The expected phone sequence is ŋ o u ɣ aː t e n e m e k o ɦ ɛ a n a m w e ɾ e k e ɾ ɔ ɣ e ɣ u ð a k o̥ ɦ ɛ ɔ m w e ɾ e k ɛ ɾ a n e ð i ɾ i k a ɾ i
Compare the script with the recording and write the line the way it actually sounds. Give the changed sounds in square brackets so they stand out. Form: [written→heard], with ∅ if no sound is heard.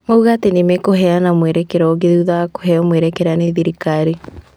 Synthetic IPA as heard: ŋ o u ɣ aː t e n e m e k o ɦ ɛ a n a m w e ɾ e k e ɾ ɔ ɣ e [ɣ→ð] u ð a k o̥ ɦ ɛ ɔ m w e ɾ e k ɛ ɾ a n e ð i ɾ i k a ɾ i

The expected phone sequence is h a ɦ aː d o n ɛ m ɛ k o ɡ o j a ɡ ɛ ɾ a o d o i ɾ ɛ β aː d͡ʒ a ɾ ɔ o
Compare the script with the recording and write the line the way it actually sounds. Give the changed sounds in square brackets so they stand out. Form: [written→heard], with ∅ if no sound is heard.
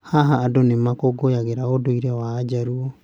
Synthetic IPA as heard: h a ɦ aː d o n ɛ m [ɛ→a] k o ɡ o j a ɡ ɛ ɾ a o d o i ɾ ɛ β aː d͡ʒ a ɾ [ɔ→u] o

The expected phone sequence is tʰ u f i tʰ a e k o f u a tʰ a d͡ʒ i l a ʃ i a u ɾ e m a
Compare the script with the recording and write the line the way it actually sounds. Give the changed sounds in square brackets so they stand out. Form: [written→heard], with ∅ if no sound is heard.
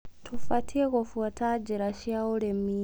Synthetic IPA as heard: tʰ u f [i→a] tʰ [a→i] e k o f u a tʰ a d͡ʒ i [l→ɾ] a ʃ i a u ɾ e m [a→i]

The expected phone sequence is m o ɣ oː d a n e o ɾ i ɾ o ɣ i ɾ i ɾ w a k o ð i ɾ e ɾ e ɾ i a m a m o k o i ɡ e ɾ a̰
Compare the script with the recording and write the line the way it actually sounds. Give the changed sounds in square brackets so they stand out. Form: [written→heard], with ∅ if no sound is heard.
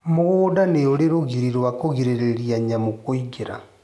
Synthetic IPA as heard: m o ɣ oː d a n e o ɾ [i→e] ɾ o ɣ i ɾ i ɾ w a k o [ð→ɣ] i ɾ e ɾ e ɾ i a [m→ɲ] a m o k o i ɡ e ɾ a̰

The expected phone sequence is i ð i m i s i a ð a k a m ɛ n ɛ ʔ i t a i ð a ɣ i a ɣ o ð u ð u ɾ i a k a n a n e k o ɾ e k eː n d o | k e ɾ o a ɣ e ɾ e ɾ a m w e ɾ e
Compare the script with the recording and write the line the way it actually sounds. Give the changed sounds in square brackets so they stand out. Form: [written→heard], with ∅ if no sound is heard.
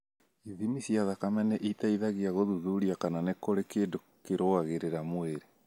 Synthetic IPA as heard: i ð i m i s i a ð a k a m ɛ n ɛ ʔ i t a i ð a ɣ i a ɣ o ð u ð u ɾ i a k a n a n e k o ɾ e k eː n d o | k e ɾ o a ɣ e ɾ e ɾ a m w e ɾ e

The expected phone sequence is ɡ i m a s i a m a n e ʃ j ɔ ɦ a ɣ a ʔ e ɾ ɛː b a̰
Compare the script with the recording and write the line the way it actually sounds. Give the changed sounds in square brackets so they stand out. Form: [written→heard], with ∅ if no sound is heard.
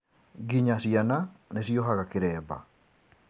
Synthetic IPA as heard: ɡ i [m→ɲ] a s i a [m→n] a n e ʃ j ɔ ɦ a ɣ a [ʔ→k] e ɾ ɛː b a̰

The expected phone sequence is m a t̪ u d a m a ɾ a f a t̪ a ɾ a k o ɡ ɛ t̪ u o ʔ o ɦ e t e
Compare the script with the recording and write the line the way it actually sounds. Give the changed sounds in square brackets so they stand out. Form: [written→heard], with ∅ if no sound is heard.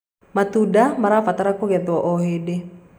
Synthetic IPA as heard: m a t̪ u d a m a ɾ a f a t̪ a ɾ a k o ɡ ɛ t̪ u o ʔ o ɦ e [t→d] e

